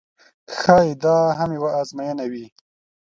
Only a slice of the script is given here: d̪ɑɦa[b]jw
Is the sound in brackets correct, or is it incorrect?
incorrect